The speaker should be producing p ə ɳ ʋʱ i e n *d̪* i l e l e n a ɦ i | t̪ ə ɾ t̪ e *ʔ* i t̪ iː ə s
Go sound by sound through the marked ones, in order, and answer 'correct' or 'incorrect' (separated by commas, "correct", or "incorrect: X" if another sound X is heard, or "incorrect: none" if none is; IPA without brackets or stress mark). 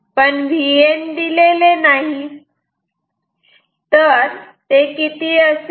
correct, incorrect: k